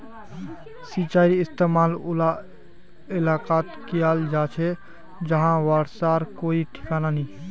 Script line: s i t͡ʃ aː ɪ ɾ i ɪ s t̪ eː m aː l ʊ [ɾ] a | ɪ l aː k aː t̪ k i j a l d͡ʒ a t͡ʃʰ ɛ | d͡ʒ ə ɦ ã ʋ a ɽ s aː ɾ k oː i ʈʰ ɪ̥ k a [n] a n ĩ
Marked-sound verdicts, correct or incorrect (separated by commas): incorrect, correct